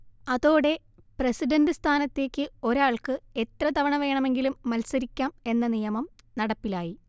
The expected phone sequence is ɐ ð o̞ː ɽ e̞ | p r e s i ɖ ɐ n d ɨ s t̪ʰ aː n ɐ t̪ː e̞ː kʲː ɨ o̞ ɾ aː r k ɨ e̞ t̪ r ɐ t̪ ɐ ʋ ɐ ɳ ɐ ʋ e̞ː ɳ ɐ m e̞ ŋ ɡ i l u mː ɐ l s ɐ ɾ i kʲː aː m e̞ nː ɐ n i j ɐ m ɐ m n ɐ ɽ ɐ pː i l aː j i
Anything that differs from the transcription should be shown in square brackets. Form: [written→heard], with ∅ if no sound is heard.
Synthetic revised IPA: ɐ ð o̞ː ɽ e̞ | p r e s i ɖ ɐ n d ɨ s t̪ʰ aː n ɐ t̪ː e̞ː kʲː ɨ o̞ ɾ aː [r→ɭ] k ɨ e̞ t̪ r ɐ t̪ ɐ ʋ ɐ ɳ ɐ ʋ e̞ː ɳ ɐ m e̞ ŋ ɡ i l u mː ɐ l s ɐ ɾ i kʲː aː m e̞ nː ɐ n i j ɐ m ɐ m n ɐ ɽ ɐ pː i l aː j i